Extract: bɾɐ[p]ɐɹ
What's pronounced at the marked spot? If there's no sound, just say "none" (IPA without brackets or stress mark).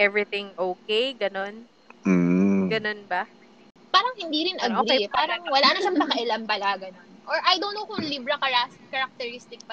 k